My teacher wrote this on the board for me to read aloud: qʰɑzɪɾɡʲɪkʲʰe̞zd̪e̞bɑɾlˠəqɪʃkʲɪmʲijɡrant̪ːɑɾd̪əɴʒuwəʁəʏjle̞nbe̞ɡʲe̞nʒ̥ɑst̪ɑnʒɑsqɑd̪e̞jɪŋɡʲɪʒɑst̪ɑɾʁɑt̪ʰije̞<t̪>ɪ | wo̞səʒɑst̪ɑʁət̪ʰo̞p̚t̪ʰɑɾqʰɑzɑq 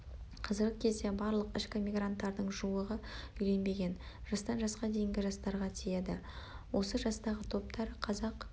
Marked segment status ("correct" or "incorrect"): incorrect